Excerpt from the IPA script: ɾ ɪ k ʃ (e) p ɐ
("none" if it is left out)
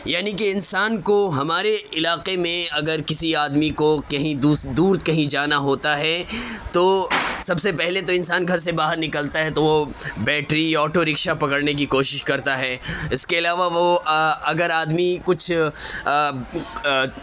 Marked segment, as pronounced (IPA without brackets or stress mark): a